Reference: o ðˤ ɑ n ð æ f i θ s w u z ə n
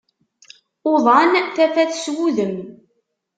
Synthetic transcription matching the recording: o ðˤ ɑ n θ æ f æ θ s w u ð ə m